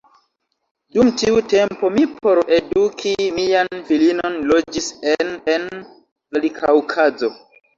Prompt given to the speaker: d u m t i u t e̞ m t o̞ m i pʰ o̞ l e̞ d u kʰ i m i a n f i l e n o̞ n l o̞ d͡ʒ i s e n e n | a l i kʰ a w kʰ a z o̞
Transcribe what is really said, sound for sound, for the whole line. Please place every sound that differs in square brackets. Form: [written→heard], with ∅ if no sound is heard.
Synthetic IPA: d u m t i u t e̞ m [t→p] o̞ m i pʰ o̞ [l→ɾ] e̞ d u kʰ i m i a n f i l [e→i] n o̞ n l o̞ d͡ʒ i s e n e n | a l i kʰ a w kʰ a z o̞